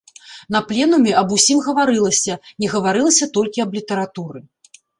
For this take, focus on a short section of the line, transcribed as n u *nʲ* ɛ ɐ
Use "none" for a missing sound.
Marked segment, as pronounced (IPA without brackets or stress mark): mʲ